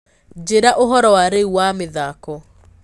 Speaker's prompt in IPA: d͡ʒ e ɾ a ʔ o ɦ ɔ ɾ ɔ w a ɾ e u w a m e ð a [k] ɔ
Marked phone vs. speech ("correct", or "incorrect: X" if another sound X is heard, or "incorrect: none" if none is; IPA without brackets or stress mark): correct